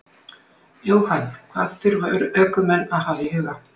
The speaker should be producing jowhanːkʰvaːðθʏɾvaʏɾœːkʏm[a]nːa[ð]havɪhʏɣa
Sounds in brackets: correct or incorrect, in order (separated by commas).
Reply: incorrect, correct